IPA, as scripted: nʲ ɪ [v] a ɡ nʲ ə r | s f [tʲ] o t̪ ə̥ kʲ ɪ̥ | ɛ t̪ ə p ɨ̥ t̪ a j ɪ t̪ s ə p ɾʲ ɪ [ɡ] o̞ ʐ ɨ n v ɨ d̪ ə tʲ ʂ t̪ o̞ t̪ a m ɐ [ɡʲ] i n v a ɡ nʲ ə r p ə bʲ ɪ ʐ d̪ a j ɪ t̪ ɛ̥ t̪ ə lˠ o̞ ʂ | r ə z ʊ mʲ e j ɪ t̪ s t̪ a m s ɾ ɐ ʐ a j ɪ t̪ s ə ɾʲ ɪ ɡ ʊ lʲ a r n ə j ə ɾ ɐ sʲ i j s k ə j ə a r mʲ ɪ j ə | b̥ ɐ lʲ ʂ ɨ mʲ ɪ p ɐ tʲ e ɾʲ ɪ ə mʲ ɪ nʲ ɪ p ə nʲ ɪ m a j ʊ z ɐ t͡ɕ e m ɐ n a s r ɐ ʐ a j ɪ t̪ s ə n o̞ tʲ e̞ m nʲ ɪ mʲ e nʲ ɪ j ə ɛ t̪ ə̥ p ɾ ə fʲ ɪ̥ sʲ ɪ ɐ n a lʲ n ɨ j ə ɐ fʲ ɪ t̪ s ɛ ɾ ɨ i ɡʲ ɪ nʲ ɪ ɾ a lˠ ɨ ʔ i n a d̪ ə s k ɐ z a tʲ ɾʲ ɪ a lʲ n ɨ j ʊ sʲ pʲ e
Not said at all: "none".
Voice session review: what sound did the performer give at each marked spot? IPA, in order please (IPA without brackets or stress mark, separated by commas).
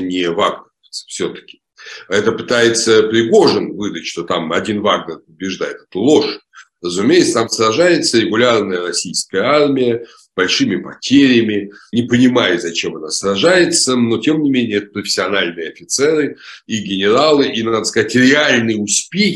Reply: v, sʲ, ɡ, dʲ